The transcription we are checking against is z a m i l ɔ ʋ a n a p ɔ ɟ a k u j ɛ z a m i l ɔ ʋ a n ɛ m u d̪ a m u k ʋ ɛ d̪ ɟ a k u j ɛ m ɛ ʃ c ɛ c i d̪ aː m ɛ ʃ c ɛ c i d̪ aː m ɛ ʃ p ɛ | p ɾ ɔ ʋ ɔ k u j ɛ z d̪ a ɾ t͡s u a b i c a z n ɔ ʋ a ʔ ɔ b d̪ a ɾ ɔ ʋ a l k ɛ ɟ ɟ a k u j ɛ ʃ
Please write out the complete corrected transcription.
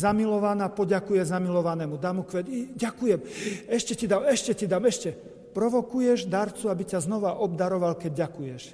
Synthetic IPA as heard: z a m i l ɔ ʋ a n a p ɔ ɟ a k u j ɛ z a m i l ɔ ʋ a n ɛ m u d̪ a m u k ʋ ɛ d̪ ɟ a k u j ɛ m ɛ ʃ c ɛ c i d̪ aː m ɛ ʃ c ɛ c i d̪ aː m ɛ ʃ c ɛ | p ɾ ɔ ʋ ɔ k u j ɛ ʒ d̪ a ɾ t͡s u a b i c a z n ɔ ʋ a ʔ ɔ b d̪ a ɾ ɔ ʋ a l k ɛ ɟ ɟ a k u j ɛ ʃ